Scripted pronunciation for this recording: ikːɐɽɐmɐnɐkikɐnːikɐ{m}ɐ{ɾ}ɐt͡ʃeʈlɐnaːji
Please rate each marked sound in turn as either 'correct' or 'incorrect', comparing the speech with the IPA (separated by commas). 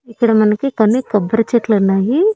incorrect, correct